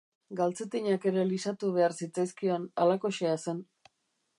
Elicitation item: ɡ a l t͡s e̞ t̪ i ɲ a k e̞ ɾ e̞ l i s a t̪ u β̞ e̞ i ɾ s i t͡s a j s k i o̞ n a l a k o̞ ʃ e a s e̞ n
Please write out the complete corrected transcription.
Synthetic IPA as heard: ɡ a l t͡s e̞ t̪ i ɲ a k e̞ ɾ e̞ l i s a t̪ u β̞ e̞ a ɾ s i t͡s a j s k i o̞ n a l a k o̞ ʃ e a s e̞ n